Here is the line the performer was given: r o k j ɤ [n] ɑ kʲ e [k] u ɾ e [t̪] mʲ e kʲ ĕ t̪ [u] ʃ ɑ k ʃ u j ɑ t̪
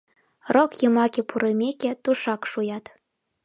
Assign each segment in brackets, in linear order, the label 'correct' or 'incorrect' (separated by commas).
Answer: incorrect, incorrect, incorrect, correct